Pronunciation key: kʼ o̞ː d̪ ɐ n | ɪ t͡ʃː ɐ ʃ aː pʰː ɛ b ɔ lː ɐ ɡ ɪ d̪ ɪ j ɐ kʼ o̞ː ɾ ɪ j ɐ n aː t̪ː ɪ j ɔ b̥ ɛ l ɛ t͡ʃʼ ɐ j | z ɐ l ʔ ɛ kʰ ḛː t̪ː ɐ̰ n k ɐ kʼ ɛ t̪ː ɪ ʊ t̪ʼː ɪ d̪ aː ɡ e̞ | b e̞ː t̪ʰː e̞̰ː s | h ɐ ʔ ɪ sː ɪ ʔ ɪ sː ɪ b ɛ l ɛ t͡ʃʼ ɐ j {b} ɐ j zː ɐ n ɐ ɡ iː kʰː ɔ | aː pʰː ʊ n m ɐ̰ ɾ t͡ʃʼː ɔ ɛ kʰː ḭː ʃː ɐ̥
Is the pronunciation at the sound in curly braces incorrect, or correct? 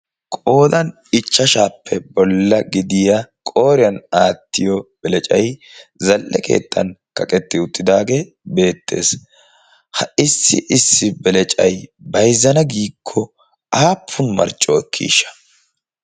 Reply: correct